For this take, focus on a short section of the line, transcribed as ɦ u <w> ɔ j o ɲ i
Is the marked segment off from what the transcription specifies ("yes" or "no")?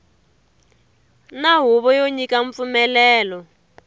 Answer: yes